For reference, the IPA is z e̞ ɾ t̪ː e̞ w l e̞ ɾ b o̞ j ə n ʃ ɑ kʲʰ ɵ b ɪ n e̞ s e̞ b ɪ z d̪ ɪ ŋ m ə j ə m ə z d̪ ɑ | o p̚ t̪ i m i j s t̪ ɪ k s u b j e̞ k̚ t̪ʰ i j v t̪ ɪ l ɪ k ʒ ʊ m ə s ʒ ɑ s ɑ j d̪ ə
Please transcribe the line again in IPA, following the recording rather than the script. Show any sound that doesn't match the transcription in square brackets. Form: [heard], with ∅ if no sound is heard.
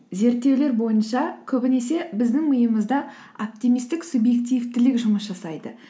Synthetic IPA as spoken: z e̞ ɾ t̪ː e̞ w l e̞ ɾ b o̞ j ə n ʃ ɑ kʲʰ ɵ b ɪ n e̞ s e̞ b ɪ z d̪ ɪ ŋ m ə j ə m ə z d̪ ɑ | o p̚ t̪ i m i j s t̪ ɪ k s u b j e̞ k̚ [t̪] i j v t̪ ɪ l ɪ k ʒ ʊ m ə s ʒ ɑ s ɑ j d̪ ə

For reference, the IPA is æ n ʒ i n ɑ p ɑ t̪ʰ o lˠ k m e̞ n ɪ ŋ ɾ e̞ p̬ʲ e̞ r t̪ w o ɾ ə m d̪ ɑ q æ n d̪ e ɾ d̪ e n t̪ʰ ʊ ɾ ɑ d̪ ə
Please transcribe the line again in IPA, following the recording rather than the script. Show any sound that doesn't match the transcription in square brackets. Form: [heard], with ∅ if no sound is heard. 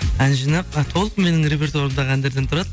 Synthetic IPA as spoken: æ n ʒ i n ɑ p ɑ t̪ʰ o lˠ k m e̞ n ɪ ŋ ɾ e̞ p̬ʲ e̞ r t̪ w o ɾ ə m d̪ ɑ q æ n d̪ e ɾ d̪ e n t̪ʰ ʊ ɾ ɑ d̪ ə

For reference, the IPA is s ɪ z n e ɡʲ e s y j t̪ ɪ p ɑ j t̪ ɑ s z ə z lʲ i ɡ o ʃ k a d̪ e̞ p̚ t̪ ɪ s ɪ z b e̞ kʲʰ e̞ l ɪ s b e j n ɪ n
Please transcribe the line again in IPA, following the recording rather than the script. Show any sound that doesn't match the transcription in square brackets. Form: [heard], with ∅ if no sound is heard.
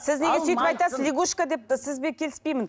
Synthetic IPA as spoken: s ɪ z n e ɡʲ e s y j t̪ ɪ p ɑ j t̪ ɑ s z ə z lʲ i ɡ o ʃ k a d̪ e̞ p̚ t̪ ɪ s ɪ z b e̞ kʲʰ e̞ l ɪ s [p] e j [m] ɪ n

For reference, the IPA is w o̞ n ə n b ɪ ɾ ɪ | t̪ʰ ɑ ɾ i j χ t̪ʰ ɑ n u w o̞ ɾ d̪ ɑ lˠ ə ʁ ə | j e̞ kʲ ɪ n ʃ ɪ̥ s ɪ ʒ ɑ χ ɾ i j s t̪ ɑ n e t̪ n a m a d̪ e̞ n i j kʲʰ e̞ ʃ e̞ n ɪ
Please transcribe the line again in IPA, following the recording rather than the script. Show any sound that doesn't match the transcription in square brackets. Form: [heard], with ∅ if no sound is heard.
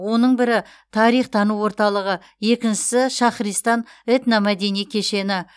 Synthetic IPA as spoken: w o̞ n ə [ɴ] b ɪ ɾ ɪ | t̪ʰ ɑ ɾ i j χ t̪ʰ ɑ n u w o̞ ɾ [t̪] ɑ lˠ ə ʁ ə | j e̞ kʲ ɪ n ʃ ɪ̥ s ɪ [ʃ] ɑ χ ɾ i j s t̪ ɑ n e t̪ n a m [æ] d̪ e̞ n i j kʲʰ e̞ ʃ e̞ n ɪ

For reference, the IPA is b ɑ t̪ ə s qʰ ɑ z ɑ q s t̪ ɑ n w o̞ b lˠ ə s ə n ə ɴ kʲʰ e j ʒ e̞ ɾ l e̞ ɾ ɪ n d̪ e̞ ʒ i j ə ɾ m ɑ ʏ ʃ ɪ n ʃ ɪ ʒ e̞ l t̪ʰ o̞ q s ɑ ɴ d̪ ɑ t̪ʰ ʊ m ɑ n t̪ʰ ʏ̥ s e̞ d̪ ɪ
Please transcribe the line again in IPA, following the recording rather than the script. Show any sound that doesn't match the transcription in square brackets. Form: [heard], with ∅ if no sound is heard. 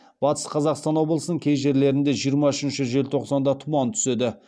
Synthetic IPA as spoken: b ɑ t̪ ə s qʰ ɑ z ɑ q s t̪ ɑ n w o̞ b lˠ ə s ə n ə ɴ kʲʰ e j ʒ e̞ ɾ l e̞ ɾ ɪ n d̪ e̞ ʒ i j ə ɾ m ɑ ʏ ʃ ɪ n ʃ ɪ ʒ e̞ l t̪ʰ o̞ q s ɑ [n] d̪ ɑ t̪ʰ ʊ m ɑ n t̪ʰ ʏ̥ s e̞ d̪ ɪ

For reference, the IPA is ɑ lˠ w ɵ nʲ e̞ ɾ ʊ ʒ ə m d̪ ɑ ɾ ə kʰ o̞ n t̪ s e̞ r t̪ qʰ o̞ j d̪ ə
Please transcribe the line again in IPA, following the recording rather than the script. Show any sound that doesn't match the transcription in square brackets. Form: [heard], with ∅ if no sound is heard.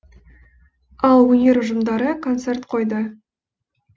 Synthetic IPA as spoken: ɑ lˠ w ɵ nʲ e̞ ɾ ʊ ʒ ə m d̪ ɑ ɾ ə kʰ o̞ n t̪ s e̞ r t̪ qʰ o̞ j d̪ ə

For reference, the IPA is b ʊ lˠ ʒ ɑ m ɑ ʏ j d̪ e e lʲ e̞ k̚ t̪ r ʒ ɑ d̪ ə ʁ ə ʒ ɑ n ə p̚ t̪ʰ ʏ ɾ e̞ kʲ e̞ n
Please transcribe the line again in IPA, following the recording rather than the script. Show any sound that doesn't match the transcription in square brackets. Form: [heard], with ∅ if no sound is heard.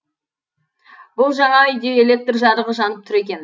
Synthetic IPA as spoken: b ʊ lˠ ʒ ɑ [ɴ] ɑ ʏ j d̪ e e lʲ e̞ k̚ t̪ r ʒ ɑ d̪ ə ʁ ə ʒ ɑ n ə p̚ t̪ʰ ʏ ɾ e̞ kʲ e̞ n

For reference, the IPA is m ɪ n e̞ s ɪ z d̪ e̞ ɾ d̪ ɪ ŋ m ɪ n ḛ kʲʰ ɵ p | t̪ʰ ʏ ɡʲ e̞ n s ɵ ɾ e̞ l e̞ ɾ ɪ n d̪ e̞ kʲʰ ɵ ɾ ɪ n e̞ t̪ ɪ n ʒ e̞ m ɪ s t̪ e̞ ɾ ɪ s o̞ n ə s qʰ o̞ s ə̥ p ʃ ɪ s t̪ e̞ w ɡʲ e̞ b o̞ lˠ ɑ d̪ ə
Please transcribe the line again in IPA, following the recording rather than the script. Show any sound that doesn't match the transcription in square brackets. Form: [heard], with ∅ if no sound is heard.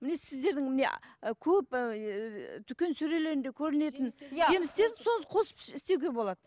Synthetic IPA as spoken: m ɪ n e̞ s ɪ z d̪ e̞ ɾ d̪ ɪ ŋ m ɪ n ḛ kʲʰ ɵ p | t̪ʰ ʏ [kʲ] e̞ n s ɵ ɾ e̞ l e̞ ɾ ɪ n d̪ e̞ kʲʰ ɵ ɾ ɪ n e̞ t̪ ɪ n ʒ e̞ m ɪ s t̪ e̞ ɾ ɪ s o̞ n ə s qʰ o̞ s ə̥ p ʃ ɪ s t̪ e̞ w ɡʲ e̞ b o̞ lˠ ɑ d̪ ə

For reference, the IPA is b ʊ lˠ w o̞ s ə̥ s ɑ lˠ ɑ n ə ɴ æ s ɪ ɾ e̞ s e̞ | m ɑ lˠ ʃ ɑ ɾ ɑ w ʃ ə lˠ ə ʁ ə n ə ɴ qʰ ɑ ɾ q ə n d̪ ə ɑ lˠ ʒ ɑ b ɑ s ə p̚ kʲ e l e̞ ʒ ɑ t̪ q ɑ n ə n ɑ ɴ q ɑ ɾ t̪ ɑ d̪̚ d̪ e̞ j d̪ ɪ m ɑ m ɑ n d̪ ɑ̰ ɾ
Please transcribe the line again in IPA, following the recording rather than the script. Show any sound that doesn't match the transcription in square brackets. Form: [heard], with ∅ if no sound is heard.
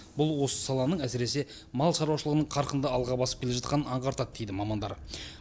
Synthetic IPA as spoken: b ʊ lˠ w o̞ s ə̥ s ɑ lˠ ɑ n ə ɴ æ s ɪ ɾ e̞ s e̞ | m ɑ lˠ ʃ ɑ ɾ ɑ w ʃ ə lˠ ə ʁ ə n ə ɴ qʰ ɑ ɾ q ə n d̪ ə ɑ lˠ [ʁ] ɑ b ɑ s ə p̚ kʲ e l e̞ ʒ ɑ t̪ q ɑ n ə n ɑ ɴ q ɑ ɾ t̪ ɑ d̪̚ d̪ e̞ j d̪ ɪ m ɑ m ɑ n d̪ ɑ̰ ɾ

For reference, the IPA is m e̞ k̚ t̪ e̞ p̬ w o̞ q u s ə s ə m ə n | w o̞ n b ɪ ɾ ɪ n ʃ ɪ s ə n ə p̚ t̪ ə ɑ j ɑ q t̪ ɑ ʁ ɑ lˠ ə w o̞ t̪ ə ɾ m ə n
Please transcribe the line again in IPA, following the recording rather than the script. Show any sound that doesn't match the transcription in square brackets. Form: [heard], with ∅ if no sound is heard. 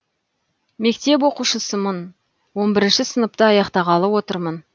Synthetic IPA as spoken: m e̞ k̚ t̪ e̞ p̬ w o̞ q u [ʃ] ə s ə m ə n | w o̞ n b ɪ ɾ ɪ n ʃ ɪ s ə n ə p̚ t̪ ə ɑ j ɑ q t̪ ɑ ʁ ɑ lˠ ə w o̞ t̪ ə ɾ m ə n

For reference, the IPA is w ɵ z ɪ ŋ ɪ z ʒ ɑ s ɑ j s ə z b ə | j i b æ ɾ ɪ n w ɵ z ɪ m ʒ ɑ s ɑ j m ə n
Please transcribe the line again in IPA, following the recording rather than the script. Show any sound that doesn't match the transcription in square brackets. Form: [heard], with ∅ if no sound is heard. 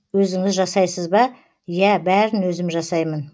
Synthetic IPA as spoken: w ɵ z ɪ ŋ ɪ z ʒ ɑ s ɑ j s ə z b [ɑ] | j [æ] b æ ɾ ɪ n w ɵ z ɪ m ʒ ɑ s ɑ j m ə n

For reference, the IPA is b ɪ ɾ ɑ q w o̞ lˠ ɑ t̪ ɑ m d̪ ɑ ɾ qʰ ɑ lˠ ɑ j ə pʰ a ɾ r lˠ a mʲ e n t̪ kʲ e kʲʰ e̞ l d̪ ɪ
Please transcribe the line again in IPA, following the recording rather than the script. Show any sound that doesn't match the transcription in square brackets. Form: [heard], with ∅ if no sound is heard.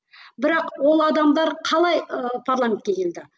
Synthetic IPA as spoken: b ɪ ɾ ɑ q w o̞ lˠ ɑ [d̪] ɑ m d̪ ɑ ɾ qʰ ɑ lˠ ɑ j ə pʰ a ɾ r lˠ a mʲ e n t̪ kʲ e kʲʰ e̞ l d̪ ɪ

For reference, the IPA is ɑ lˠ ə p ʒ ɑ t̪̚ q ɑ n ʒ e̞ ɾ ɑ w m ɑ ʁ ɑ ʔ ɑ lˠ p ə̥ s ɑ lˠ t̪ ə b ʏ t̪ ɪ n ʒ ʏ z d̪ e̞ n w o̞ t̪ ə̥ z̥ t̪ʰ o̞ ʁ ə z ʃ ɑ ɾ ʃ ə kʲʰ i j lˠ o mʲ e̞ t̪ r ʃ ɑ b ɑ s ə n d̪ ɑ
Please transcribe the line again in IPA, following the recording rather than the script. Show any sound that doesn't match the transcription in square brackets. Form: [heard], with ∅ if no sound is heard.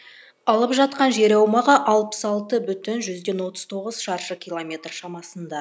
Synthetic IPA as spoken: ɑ lˠ ə p ʒ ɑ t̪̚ q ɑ n ʒ e̞ ɾ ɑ w m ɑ ʁ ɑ ʔ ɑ lˠ p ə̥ s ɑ lˠ t̪ ə b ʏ t̪ ɪ n ʒ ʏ z d̪ e̞ n w o̞ t̪ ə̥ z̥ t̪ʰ o̞ ʁ ə z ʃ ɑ ɾ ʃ ə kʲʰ i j lˠ o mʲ e̞ t̪ r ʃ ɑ [m] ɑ s ə n d̪ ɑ

